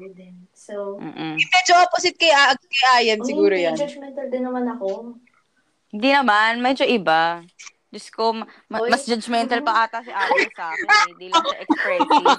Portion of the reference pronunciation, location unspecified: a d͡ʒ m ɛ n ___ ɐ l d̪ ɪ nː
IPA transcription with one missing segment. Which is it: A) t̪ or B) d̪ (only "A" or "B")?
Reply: A